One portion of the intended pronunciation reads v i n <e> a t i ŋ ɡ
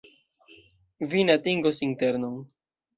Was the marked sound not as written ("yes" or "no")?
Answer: no